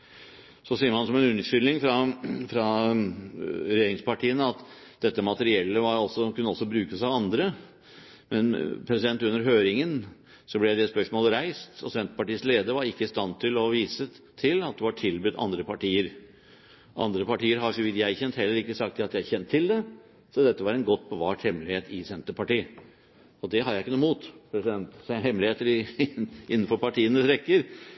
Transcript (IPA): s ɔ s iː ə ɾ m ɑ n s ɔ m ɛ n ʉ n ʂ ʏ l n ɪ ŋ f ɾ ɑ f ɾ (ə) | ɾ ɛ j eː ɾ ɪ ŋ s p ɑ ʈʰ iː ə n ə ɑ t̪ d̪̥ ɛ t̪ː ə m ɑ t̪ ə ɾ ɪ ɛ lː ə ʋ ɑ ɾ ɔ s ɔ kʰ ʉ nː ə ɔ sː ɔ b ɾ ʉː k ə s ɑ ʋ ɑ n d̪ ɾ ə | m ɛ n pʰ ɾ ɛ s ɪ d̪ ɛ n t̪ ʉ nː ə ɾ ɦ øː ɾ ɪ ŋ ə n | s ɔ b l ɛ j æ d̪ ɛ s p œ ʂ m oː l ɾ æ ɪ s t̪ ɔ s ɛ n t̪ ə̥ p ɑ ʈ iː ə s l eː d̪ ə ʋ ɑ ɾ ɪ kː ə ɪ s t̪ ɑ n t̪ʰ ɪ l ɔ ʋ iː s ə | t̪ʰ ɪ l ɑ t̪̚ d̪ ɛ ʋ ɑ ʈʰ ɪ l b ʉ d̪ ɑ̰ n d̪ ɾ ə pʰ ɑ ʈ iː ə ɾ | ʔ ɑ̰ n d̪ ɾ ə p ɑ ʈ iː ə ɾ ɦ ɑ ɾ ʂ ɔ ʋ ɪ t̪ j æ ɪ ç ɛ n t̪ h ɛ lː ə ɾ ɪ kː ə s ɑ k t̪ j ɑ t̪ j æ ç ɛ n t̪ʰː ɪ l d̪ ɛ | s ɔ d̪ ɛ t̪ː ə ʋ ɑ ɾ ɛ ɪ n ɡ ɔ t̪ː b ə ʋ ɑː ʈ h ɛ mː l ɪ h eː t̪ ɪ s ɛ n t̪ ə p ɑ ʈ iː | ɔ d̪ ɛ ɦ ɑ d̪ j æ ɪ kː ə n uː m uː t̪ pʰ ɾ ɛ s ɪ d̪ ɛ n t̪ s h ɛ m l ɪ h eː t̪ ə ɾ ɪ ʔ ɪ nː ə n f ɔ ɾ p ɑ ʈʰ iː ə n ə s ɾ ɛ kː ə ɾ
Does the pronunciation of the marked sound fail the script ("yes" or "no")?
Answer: yes